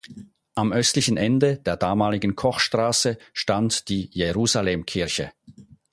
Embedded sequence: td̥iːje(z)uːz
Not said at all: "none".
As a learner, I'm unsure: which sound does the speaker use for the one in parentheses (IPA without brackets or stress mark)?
ʁ